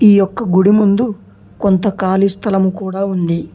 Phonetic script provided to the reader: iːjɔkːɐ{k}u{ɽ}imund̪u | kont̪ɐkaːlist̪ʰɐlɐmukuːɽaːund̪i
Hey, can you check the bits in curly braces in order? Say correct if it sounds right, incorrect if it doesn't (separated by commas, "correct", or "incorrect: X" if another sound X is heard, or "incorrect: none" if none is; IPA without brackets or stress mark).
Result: incorrect: ɡ, correct